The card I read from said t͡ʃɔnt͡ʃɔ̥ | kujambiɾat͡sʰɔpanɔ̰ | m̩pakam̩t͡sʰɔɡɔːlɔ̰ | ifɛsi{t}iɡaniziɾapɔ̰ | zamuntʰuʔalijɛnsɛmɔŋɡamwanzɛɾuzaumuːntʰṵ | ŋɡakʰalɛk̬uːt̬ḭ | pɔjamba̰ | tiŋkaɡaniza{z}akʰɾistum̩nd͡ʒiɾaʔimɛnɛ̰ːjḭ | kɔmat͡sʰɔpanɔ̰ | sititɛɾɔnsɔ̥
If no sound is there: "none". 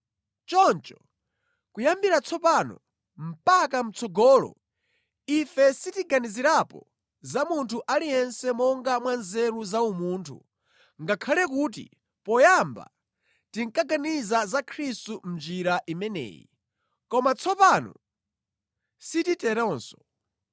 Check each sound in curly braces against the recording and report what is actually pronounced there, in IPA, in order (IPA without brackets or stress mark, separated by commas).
t, z